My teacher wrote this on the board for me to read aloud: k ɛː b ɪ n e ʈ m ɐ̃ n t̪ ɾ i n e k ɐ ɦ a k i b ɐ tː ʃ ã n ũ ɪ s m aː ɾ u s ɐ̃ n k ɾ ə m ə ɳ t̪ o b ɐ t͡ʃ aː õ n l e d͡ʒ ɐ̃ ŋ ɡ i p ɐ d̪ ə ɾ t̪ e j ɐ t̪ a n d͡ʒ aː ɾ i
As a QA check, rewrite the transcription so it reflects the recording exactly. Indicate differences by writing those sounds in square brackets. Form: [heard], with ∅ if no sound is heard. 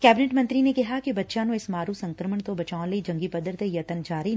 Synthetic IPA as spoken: k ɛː b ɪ n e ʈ m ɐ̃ n t̪ ɾ i n e k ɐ ɦ a k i b ɐ tː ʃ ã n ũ ɪ s m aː ɾ u s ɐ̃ [ŋ] k ɾ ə m ə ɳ t̪ o b ɐ t͡ʃ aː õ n l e d͡ʒ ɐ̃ ŋ ɡ i p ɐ d̪ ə ɾ t̪ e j ɐ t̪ [ə] n d͡ʒ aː ɾ i

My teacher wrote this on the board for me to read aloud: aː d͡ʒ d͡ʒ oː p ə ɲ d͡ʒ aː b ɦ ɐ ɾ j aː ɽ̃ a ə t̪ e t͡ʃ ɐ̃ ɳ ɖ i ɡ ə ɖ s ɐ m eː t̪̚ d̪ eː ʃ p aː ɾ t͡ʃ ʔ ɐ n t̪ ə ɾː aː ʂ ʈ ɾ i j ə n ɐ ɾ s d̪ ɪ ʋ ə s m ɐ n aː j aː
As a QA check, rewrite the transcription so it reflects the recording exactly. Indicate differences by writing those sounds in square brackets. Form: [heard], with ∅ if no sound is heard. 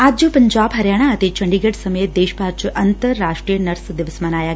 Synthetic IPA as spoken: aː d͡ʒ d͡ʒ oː p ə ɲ d͡ʒ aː b ɦ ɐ ɾ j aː ɽ̃ a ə t̪ e t͡ʃ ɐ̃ ɳ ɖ i ɡ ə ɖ s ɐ m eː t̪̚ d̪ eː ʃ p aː ɾ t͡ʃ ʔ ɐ n t̪ ə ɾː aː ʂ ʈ ɾ i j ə n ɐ ɾ s d̪ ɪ ʋ ə s m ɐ n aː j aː

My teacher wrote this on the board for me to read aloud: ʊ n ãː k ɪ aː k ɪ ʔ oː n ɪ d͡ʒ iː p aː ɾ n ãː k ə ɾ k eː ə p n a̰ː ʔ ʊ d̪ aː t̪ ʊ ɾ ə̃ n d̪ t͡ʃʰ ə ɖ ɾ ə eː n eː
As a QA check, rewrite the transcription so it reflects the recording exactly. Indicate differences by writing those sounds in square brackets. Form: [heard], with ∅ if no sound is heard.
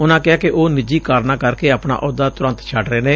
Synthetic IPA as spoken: ʊ n ãː k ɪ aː k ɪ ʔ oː n ɪ d͡ʒ iː [k] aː ɾ n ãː k ə ɾ k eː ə p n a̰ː ʔ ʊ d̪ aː t̪ ʊ ɾ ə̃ n [t̪] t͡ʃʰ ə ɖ ɾ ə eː n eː

